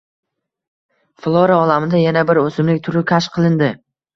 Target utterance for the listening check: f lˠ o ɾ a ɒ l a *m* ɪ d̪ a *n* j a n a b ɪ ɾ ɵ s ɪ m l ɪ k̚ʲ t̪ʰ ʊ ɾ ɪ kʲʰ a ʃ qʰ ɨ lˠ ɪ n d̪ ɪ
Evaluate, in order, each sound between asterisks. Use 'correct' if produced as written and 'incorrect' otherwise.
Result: correct, incorrect: none

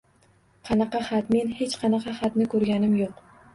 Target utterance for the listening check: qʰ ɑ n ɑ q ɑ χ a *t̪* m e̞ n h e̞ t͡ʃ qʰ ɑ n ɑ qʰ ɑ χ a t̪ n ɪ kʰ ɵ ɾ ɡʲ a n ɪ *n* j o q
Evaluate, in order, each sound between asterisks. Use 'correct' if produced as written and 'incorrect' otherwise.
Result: correct, incorrect: m

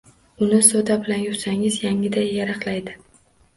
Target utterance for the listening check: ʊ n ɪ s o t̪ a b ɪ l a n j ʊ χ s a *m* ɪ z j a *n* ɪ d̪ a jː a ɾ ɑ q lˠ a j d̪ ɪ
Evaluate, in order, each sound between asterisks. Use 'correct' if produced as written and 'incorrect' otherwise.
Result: incorrect: ŋ, incorrect: ŋ

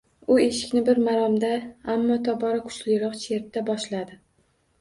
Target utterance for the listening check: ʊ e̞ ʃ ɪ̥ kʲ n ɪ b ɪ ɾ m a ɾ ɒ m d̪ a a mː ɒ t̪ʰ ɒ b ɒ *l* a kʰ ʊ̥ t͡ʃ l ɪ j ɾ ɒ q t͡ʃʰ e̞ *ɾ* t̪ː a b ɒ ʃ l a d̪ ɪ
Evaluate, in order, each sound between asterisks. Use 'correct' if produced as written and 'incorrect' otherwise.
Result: incorrect: ɾ, correct

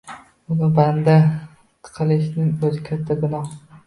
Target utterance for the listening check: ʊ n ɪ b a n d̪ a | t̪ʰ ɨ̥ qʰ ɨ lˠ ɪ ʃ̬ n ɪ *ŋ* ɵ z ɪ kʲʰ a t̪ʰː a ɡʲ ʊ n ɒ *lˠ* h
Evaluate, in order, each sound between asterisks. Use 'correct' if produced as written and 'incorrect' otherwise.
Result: correct, incorrect: none

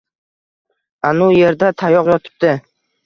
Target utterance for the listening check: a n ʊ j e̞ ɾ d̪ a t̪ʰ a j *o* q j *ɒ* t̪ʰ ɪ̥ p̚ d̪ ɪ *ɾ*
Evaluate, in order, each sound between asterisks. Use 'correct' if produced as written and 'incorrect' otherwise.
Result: incorrect: ɒ, correct, incorrect: none

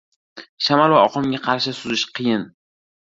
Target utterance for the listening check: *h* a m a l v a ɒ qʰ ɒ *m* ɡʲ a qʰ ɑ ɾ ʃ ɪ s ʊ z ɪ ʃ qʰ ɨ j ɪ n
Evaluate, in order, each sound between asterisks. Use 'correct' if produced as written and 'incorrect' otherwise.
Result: incorrect: ʃ, correct

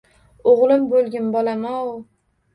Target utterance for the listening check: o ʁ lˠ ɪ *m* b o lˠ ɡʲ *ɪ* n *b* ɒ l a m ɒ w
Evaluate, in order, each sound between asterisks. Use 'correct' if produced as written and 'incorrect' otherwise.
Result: correct, correct, correct

